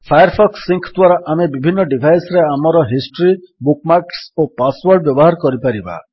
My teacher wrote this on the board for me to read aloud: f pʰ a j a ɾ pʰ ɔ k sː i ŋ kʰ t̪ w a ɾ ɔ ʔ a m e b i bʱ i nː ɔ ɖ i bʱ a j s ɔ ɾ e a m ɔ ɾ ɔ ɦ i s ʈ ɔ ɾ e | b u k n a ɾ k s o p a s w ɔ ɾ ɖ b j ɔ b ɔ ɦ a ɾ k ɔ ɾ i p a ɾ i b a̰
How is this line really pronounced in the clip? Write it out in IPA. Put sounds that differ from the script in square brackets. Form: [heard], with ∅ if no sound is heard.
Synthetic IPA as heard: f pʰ a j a ɾ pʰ ɔ k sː i ŋ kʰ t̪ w a ɾ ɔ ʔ a m e b i bʱ i nː ɔ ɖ i bʱ a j s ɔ ɾ e a m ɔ ɾ ɔ ɦ i s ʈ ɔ ɾ [i] | b u k [m] a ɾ k s o p a s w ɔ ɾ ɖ b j ɔ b ɔ ɦ a ɾ k ɔ ɾ i p a ɾ i b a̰